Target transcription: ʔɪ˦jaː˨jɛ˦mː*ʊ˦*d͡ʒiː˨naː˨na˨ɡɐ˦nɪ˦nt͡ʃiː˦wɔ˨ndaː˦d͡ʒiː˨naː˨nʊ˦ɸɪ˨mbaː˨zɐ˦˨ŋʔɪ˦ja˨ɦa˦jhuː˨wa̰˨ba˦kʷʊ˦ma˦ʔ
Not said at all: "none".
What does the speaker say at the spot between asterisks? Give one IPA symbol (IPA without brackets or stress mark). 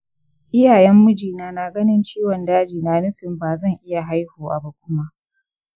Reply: ʊ˦